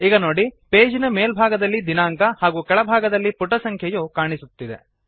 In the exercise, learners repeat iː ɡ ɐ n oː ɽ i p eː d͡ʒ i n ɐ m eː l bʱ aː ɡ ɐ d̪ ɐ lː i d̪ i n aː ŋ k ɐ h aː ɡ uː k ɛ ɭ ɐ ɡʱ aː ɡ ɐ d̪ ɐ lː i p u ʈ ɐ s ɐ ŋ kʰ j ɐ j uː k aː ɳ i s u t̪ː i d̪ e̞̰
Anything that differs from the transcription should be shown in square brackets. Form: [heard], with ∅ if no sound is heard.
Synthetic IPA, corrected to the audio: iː ɡ ɐ n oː ɽ i p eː d͡ʒ i n ɐ m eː l bʱ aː ɡ ɐ d̪ ɐ lː i d̪ i n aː ŋ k ɐ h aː ɡ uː k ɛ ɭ ɐ [bʱ] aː ɡ ɐ d̪ ɐ lː i p u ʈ ɐ s ɐ ŋ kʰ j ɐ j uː k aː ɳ i s u t̪ː i d̪ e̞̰